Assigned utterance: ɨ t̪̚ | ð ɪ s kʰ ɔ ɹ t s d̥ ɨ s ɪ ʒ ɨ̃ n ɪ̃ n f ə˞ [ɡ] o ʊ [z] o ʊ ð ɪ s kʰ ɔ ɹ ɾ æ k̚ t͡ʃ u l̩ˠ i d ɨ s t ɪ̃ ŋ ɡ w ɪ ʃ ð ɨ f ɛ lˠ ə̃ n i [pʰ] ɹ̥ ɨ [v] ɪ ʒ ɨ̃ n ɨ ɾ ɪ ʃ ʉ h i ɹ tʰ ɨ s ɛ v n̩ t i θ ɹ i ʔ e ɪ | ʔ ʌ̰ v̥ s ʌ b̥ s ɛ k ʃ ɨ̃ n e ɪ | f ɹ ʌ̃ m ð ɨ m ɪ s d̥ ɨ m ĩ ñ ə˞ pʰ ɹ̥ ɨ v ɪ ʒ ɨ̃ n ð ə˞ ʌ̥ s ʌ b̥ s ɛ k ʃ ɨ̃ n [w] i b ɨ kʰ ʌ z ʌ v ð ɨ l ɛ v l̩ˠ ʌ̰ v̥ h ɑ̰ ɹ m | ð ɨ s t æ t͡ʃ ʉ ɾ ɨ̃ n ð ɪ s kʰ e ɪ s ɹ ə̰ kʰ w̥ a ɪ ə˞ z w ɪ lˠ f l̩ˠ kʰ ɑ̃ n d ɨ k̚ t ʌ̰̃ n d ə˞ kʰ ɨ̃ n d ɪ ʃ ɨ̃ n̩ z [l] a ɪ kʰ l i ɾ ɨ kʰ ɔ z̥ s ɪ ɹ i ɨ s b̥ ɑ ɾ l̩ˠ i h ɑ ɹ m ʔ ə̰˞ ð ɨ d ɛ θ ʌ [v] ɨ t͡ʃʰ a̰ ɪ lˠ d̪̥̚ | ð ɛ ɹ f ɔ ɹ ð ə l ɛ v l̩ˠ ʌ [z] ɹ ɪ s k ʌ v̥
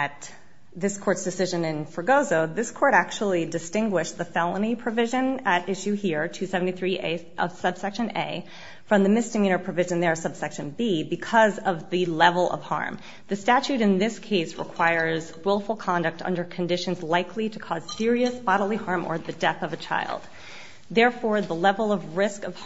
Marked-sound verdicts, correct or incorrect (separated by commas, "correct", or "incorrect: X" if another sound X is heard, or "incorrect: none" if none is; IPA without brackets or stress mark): correct, correct, correct, correct, incorrect: b, correct, correct, incorrect: v